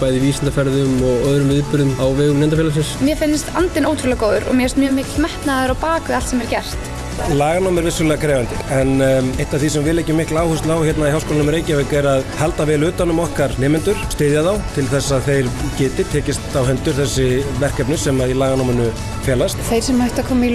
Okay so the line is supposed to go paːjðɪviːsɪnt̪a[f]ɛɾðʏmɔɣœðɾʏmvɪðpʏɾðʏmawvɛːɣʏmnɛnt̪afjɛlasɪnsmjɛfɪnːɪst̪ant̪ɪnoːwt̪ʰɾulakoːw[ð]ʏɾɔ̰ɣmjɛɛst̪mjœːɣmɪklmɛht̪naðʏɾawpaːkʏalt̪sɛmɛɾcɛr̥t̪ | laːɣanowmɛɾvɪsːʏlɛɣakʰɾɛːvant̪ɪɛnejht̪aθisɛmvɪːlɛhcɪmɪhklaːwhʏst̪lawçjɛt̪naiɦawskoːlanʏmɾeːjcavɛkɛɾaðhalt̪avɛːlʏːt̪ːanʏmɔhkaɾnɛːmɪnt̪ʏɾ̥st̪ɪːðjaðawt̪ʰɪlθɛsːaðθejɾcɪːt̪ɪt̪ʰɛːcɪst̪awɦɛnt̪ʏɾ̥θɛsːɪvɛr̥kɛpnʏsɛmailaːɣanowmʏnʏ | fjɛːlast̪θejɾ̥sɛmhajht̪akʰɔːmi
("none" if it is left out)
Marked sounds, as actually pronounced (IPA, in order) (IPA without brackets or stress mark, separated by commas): f, ð